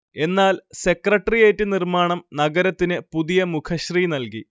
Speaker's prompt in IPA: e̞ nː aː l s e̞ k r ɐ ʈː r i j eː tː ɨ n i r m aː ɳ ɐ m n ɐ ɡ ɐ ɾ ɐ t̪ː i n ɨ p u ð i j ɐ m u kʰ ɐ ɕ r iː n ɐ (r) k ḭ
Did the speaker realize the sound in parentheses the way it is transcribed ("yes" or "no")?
no